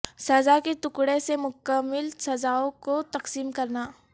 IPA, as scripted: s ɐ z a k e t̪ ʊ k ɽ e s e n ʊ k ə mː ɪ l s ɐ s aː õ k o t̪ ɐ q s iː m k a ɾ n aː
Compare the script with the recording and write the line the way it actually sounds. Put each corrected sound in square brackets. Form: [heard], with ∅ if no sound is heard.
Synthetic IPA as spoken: s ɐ z a k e t̪ ʊ k ɽ e s e [m] ʊ k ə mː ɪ l s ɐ [z] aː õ k o t̪ ɐ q s iː m k [ɐ] ɾ n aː